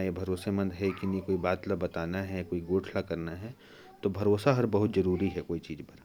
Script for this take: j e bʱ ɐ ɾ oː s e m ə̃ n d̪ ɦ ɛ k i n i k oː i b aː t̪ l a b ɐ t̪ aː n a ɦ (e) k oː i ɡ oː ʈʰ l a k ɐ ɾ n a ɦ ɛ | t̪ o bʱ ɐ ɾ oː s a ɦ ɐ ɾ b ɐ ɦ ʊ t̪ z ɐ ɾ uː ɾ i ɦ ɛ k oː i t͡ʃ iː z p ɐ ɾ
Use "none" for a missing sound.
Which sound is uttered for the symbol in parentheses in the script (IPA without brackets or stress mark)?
ɛ